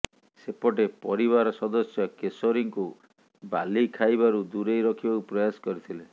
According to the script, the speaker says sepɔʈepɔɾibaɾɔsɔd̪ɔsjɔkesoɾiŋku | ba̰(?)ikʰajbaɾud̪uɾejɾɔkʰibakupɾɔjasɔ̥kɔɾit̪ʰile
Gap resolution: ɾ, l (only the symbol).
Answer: l